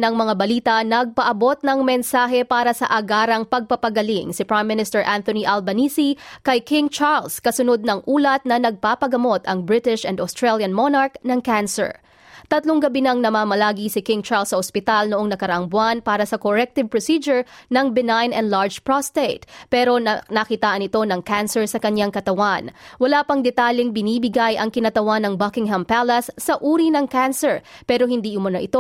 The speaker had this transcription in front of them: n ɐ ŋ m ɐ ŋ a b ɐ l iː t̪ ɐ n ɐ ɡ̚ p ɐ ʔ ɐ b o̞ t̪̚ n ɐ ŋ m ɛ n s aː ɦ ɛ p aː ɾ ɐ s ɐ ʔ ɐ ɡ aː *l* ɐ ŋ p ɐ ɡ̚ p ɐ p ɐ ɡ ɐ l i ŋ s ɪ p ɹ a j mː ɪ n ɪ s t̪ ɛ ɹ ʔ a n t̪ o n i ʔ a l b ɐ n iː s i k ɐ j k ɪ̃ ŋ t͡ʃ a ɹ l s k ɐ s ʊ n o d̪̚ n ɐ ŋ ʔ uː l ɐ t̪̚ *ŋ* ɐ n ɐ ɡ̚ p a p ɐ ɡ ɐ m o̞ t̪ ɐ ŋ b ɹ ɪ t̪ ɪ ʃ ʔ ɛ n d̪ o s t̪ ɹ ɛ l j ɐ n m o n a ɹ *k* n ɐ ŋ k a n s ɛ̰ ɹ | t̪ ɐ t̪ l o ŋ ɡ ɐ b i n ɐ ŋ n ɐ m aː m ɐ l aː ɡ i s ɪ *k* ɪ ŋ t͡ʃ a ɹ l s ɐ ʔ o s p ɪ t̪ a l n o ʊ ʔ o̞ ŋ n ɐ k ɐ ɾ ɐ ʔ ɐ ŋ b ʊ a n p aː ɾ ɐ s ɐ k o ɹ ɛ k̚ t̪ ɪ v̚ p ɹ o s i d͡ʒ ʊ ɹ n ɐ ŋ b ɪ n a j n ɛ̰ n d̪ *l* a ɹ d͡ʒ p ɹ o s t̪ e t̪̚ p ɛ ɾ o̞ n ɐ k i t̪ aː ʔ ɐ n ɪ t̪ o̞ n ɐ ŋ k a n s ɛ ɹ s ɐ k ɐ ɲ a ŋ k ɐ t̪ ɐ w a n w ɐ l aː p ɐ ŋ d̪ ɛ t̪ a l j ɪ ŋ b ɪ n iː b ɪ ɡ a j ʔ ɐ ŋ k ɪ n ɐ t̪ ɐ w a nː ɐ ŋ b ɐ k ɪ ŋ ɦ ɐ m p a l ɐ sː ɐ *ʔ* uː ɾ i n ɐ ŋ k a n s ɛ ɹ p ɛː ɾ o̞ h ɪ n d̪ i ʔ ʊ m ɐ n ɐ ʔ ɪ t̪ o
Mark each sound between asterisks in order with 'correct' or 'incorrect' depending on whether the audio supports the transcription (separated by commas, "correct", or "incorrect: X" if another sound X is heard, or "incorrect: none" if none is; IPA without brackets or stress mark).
incorrect: ɾ, incorrect: n, correct, correct, correct, correct